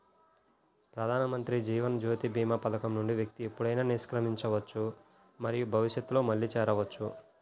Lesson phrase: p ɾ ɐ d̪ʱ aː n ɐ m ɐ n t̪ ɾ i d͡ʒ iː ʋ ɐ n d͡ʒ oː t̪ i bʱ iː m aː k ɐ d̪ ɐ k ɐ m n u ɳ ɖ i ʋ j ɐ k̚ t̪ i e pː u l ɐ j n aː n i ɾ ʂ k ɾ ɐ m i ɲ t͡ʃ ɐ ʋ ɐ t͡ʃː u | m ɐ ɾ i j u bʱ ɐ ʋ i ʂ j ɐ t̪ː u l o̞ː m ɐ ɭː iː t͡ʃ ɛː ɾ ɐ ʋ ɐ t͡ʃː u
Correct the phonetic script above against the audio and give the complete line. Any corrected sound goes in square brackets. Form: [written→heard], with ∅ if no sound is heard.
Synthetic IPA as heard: p ɾ ɐ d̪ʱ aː n ɐ m ɐ n t̪ ɾ i d͡ʒ iː ʋ ɐ n d͡ʒ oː t̪ i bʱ iː m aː [k→p] ɐ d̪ ɐ k ɐ m n u ɳ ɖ i ʋ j ɐ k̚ t̪ i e pː u [l→ɽ] ɐ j n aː n i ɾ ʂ k ɾ ɐ m i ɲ t͡ʃ ɐ ʋ ɐ t͡ʃː u | m ɐ ɾ i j u bʱ ɐ ʋ i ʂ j ɐ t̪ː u l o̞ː m ɐ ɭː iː t͡ʃ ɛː ɾ ɐ ʋ ɐ t͡ʃː u